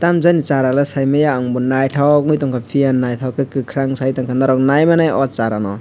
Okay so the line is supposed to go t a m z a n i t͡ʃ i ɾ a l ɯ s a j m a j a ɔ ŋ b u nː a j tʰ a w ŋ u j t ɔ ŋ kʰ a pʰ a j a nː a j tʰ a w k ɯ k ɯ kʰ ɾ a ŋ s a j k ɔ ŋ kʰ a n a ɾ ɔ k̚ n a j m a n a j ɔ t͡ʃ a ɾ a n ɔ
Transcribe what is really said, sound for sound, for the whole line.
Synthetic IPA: t a m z a n i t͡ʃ a ɾ a l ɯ s a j m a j a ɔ ŋ b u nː a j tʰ a w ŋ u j t ɔ ŋ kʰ a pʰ i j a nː a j tʰ a w k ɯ k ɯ kʰ ɾ a ŋ s a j t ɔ ŋ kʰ a n a ɾ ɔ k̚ n a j m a n a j ɔ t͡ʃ a ɾ a n ɔ